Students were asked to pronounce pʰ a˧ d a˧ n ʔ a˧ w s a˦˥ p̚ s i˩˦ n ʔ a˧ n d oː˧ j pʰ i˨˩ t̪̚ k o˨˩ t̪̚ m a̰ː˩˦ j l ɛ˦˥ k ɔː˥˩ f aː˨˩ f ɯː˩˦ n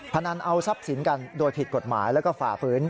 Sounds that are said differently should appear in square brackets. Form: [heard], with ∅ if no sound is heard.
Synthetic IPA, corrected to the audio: pʰ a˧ [n] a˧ n ʔ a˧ w s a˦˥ p̚ s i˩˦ n [k] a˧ n d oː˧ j pʰ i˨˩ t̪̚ k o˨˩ t̪̚ m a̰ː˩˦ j l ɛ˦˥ k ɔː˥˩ f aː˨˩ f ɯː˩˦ n